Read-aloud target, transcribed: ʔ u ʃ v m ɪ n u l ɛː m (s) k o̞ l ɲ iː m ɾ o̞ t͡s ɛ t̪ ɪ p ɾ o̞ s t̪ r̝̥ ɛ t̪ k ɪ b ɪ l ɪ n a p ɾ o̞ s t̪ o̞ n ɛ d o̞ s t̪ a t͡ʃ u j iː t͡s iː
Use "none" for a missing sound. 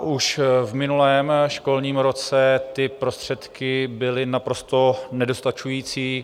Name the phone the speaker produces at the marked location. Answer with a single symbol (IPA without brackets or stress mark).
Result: ʃ